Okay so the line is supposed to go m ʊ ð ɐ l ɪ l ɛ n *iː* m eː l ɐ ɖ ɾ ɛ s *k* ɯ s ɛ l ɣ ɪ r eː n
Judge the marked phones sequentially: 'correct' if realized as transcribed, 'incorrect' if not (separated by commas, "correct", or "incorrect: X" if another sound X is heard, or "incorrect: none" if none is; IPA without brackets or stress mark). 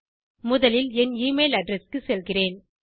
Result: correct, correct